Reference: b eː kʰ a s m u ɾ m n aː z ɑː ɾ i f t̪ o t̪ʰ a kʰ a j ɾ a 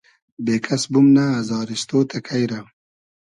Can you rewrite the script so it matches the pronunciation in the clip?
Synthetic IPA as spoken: b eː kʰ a s b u m n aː z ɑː ɾ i s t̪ o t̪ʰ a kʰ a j ɾ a